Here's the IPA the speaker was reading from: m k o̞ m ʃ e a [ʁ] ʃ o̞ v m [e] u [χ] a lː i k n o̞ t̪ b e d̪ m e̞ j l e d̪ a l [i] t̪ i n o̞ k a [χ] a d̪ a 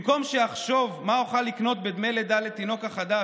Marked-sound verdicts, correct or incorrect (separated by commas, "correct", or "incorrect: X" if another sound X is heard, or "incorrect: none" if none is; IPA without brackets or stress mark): incorrect: χ, incorrect: a, correct, incorrect: e, correct